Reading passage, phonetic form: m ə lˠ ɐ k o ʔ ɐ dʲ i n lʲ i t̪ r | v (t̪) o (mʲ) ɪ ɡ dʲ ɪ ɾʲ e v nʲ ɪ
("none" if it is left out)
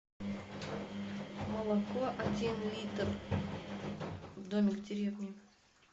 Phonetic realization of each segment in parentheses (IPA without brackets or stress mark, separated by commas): d̪, mʲ